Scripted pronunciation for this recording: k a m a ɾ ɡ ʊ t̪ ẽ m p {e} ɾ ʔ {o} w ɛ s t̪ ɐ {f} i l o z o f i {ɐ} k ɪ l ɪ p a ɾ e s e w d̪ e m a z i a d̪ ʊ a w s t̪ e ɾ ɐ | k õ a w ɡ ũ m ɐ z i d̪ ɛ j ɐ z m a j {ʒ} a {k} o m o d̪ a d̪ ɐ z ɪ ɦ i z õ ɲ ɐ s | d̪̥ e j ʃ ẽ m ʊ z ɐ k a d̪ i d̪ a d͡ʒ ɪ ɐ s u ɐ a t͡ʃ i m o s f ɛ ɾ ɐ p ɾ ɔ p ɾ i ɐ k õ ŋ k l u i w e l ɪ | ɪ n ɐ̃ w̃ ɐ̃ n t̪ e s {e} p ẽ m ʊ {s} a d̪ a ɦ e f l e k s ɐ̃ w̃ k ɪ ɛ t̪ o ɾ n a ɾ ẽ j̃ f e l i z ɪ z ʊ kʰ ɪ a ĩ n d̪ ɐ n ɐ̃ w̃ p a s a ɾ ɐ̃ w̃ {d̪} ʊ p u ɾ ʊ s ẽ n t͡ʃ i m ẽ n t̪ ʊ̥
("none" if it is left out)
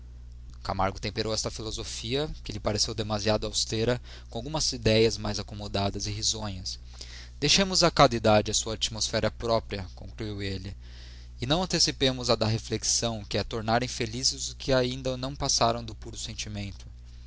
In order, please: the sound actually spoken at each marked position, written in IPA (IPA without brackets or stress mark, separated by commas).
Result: e, o, f, ɐ, z, k, i, z, d̪